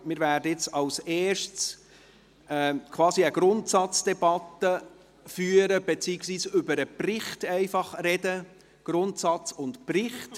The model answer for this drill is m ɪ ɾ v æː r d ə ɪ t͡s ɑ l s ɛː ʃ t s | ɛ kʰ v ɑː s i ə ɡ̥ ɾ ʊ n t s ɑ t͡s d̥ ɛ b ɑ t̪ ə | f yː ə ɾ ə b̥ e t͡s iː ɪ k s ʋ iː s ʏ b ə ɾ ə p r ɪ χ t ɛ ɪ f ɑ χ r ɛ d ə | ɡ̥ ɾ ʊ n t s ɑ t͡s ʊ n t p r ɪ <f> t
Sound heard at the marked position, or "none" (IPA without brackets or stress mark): χ